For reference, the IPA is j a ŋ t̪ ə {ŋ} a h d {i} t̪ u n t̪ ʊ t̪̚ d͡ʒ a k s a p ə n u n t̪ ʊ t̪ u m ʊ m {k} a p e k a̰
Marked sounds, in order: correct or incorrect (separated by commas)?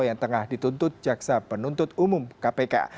correct, correct, correct